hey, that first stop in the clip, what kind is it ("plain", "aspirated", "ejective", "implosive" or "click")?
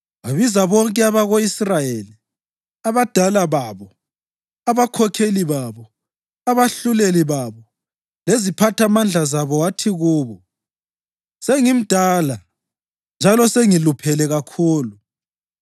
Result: ejective